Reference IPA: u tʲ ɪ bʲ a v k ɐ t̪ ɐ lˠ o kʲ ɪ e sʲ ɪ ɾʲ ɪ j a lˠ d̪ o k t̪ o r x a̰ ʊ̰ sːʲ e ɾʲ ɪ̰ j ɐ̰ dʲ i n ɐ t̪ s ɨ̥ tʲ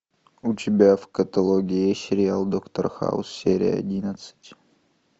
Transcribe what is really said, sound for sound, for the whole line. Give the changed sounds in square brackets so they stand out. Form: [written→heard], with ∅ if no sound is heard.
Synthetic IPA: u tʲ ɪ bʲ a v k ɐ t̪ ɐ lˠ o [kʲ→ɡʲ] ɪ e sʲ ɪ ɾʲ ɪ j a lˠ d̪ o k t̪ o r x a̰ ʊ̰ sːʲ e ɾʲ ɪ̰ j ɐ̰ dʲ i n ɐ t̪ s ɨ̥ tʲ